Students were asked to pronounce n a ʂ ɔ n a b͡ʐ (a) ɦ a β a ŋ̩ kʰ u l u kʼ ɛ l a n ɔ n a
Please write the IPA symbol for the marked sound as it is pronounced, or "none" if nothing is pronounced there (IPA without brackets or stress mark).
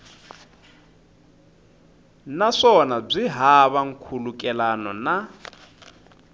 i